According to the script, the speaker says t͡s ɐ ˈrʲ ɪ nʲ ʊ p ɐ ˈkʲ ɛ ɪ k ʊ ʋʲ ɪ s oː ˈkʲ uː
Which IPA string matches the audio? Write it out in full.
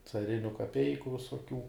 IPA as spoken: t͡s ɐ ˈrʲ ɪ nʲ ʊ k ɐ ˈpʲ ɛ ɪ k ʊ ʋʲ ɪ s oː ˈkʲ uː